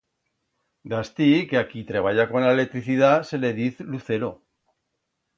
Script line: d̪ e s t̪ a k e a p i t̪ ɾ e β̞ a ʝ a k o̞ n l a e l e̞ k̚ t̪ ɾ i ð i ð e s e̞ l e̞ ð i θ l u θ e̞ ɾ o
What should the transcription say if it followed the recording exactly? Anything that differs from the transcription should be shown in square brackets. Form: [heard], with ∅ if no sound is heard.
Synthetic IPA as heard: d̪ [a] s t̪ [i] k e a [k] i t̪ ɾ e β̞ a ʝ a k o̞ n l a e l e̞ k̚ t̪ ɾ i [θ] i ð [a] s e̞ l e̞ ð i θ l u θ e̞ ɾ o